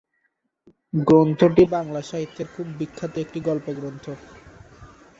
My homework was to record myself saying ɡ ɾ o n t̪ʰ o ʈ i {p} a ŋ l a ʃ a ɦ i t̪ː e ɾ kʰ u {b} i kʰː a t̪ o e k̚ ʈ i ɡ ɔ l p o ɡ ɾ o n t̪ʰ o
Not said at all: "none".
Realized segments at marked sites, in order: b, bː

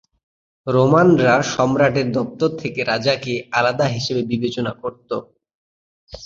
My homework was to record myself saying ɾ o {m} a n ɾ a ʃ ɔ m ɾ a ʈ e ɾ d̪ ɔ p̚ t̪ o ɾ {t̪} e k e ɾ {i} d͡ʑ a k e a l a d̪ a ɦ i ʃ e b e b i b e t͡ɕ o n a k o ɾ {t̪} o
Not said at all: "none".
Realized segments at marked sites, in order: m, t̪ʰ, a, t̪

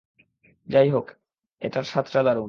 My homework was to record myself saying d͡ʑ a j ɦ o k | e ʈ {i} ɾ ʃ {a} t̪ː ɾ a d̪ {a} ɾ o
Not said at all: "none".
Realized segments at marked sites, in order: a, a, a

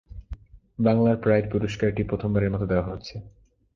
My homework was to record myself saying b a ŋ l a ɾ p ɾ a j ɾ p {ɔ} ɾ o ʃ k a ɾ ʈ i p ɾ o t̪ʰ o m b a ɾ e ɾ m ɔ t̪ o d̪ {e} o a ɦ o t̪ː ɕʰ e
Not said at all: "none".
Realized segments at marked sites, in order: u, e

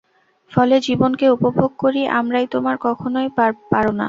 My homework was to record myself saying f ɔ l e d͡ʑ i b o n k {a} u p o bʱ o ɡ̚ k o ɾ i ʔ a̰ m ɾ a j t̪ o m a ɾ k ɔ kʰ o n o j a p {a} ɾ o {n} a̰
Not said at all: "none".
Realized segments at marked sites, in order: e, a, n

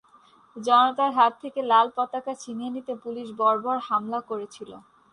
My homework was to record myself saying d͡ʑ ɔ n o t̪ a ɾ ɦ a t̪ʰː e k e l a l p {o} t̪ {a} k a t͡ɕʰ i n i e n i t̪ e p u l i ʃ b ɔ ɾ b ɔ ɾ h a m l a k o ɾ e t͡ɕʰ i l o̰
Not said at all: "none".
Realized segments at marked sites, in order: ɔ, a

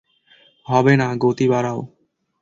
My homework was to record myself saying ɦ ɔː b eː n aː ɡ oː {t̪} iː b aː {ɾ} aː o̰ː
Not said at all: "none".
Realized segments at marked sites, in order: t̪, ɾ

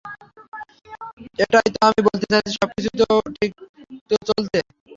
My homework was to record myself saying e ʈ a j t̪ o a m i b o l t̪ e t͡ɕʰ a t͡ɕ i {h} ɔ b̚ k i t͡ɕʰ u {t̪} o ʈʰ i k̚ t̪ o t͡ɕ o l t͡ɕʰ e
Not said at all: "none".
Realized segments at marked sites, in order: ʃ, t̪

